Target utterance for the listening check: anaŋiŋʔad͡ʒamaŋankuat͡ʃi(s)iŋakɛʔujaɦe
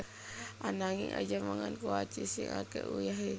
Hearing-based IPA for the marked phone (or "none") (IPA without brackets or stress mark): s